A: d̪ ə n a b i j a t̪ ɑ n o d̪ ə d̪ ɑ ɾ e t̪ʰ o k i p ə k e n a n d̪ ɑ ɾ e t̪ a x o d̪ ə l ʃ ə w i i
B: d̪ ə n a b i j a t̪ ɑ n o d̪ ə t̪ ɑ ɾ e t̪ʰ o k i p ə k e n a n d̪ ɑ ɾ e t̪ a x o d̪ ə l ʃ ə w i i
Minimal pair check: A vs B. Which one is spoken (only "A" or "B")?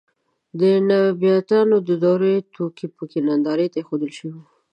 A